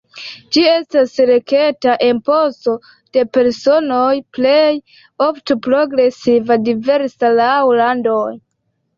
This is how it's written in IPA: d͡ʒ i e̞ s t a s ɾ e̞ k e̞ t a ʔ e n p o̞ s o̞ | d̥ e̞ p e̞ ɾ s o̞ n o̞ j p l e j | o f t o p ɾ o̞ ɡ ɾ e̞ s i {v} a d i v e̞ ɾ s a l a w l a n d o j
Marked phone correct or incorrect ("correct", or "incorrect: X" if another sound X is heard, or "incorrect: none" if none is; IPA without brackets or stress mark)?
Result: correct